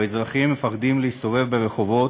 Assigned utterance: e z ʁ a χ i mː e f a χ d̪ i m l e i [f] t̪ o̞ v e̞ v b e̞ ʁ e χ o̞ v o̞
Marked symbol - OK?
no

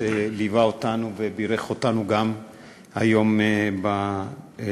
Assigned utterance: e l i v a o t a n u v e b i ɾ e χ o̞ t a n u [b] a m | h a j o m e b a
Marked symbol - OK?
no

